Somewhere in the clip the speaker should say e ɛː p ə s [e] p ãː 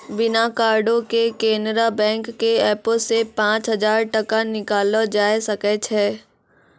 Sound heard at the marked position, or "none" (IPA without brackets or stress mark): e